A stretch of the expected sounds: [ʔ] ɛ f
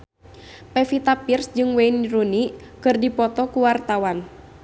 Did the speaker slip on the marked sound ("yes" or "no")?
yes